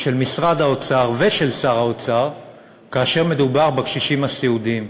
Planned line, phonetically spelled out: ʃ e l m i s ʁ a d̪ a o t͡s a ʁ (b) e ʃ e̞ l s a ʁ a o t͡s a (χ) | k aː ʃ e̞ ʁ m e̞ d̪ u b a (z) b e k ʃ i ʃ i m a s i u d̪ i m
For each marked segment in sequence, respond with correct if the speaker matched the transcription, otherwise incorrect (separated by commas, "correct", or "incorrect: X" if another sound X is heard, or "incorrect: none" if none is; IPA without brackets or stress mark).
incorrect: v, incorrect: ʁ, incorrect: ʁ